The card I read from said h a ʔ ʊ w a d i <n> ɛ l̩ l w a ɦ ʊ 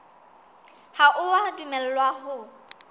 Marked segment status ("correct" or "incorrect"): incorrect